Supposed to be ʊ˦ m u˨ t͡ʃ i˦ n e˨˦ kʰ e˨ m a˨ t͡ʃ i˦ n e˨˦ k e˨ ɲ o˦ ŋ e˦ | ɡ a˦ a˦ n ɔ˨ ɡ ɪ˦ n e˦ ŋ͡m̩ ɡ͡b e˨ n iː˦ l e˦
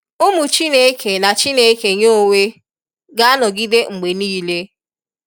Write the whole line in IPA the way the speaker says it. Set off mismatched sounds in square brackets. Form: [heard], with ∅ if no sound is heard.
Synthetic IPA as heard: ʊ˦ m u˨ t͡ʃ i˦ n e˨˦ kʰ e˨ [n] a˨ t͡ʃ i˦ n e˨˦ k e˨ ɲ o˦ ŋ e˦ | ɡ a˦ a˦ n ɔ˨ ɡ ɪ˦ [d] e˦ ŋ͡m̩ ɡ͡b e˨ n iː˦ l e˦